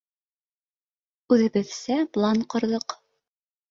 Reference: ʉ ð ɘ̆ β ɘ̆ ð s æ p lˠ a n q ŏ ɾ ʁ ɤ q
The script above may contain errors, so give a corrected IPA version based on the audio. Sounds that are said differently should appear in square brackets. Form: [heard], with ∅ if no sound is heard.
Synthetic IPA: ʉ ð ɘ̆ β ɘ̆ ð s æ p lˠ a n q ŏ ɾ [ð] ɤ q